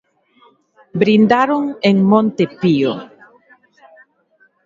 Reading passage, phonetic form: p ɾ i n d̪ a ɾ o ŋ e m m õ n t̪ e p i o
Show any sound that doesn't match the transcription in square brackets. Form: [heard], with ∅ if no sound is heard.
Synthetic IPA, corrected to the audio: [b] ɾ i n d̪ a ɾ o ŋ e [ŋ] m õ n t̪ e p i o